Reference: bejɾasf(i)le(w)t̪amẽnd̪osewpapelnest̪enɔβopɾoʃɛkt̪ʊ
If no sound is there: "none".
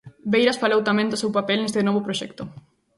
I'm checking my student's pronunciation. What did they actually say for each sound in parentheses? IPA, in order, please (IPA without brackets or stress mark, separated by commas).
a, w